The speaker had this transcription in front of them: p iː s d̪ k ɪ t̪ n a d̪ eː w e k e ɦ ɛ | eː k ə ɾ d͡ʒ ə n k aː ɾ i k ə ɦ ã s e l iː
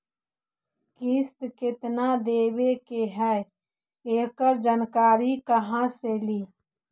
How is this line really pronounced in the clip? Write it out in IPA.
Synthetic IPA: k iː s t̪ k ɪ t̪ n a d̪ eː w e k e ɦ ɛ | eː k ə ɾ d͡ʒ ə n k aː ɾ i k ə ɦ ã s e l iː